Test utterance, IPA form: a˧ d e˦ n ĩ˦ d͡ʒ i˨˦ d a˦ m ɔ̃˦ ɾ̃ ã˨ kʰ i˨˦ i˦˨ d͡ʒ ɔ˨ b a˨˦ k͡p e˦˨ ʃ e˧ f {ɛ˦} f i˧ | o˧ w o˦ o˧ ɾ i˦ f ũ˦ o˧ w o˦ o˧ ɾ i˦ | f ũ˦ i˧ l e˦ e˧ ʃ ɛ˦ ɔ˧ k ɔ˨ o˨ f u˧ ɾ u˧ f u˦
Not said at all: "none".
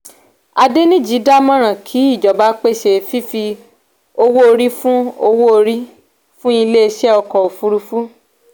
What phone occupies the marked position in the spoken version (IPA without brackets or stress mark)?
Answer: i˦